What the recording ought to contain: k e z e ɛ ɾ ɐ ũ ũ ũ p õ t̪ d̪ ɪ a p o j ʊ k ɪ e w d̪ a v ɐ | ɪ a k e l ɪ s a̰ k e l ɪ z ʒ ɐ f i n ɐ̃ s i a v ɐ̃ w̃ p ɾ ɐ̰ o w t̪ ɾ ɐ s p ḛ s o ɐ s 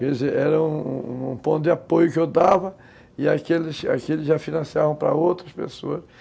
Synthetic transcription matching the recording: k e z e ɛ ɾ ɐ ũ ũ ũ p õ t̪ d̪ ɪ a p o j ʊ k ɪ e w d̪ a v ɐ | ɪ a k e l ɪ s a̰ k e l ɪ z ʒ a f i n ɐ̃ s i a v ɐ̃ w̃ p ɾ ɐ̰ o w t̪ ɾ ɐ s p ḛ s o ɐ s